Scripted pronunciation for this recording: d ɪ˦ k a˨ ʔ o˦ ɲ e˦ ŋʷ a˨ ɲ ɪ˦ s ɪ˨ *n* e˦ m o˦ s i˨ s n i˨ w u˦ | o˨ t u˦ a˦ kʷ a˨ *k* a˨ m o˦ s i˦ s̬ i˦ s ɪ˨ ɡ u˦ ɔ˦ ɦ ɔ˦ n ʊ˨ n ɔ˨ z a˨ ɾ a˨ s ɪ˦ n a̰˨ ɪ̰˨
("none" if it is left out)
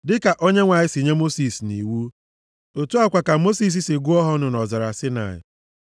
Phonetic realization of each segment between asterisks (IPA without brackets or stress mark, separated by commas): ɲ, k